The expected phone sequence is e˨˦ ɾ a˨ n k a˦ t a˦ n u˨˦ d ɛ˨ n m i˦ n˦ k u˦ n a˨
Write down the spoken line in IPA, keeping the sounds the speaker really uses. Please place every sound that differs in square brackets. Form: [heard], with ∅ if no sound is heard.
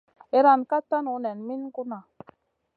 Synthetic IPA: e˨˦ ɾ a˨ n k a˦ t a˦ n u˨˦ [n] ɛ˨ n m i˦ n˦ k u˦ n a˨